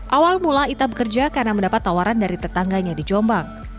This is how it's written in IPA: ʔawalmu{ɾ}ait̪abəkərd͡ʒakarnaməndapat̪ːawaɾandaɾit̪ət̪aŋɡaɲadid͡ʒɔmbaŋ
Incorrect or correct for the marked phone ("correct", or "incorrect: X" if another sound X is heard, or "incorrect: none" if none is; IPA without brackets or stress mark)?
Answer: incorrect: l